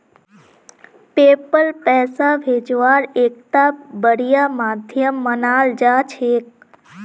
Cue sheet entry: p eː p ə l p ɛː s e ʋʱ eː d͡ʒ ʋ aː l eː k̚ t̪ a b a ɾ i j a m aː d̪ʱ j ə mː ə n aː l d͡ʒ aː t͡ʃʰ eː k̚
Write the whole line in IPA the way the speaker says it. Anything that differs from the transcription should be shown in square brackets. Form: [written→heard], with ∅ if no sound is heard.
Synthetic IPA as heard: p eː p ə l p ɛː s [e→a] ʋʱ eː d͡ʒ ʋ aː [l→ɾ] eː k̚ t̪ a b [a→ə] ɾ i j a m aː d̪ʱ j ə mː ə n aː l d͡ʒ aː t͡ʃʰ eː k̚